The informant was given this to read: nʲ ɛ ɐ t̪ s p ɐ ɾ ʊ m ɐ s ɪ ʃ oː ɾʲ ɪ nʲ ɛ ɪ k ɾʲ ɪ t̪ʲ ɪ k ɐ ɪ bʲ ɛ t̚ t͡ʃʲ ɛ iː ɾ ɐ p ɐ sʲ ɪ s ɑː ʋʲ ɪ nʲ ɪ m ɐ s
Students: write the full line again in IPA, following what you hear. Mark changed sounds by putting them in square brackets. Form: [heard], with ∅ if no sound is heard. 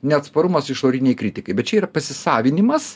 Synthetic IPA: nʲ ɛ ɐ t̪ s p ɐ ɾ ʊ m ɐ s ɪ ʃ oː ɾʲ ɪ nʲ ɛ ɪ k ɾʲ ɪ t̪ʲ ɪ k ɐ ɪ bʲ ɛ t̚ t͡ʃʲ ɛ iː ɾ ɐ p ɐ sʲ ɪ s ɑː ʋʲ ɪ nʲ ɪ m ɐ s